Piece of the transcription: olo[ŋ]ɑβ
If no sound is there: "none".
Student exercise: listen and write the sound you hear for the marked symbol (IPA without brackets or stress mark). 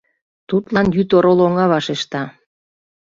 ŋ